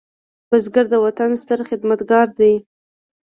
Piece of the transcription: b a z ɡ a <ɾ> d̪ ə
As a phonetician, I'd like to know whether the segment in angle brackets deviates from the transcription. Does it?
no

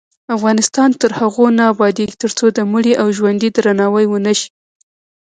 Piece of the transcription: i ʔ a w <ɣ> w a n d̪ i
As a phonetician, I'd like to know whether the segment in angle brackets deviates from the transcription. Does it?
yes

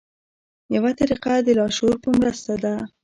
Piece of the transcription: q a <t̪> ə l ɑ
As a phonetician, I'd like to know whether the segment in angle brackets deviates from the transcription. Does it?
yes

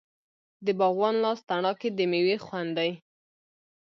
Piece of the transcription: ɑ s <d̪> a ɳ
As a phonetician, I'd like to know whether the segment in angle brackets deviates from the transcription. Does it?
yes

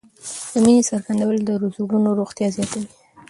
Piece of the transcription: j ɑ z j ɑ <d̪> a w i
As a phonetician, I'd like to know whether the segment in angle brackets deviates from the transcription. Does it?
yes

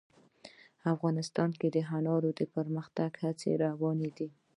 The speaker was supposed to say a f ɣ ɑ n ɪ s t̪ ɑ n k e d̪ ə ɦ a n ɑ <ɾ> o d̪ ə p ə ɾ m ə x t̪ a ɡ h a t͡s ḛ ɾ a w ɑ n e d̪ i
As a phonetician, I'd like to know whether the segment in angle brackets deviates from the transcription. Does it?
no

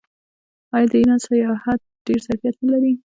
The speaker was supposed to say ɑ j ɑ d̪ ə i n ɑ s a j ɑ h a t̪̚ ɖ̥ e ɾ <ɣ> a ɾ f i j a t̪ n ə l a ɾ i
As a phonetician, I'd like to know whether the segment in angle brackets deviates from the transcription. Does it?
yes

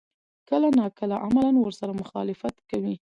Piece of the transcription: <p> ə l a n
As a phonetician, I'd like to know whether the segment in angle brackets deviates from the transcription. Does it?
yes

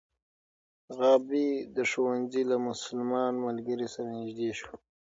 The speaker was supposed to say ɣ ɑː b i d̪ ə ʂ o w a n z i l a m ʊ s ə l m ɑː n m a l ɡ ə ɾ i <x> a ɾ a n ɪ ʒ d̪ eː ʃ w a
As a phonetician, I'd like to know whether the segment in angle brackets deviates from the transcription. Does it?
yes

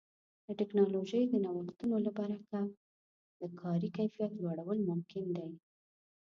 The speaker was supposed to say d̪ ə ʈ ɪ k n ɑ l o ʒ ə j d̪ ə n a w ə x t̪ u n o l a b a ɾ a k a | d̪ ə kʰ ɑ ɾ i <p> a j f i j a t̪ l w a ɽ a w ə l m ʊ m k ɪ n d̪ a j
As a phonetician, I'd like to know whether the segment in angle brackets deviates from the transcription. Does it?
yes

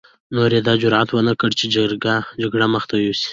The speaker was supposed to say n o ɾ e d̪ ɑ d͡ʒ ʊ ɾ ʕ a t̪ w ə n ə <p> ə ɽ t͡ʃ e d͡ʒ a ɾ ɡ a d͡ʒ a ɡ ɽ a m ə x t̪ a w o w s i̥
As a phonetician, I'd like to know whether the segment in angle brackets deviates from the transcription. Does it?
yes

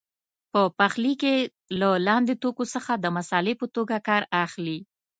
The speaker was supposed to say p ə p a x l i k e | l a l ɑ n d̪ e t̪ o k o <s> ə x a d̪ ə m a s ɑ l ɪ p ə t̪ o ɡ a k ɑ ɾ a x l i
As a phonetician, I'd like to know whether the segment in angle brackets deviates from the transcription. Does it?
no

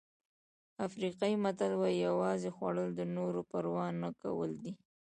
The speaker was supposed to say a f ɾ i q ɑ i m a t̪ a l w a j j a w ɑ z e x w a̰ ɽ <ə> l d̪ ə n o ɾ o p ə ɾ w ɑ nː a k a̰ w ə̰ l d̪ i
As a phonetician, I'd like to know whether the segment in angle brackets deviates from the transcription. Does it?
no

